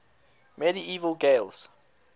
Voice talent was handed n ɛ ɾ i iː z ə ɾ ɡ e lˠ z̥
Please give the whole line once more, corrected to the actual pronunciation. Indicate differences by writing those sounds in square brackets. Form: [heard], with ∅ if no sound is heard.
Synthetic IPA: [m] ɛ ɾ i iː [v] ə [l] ɡ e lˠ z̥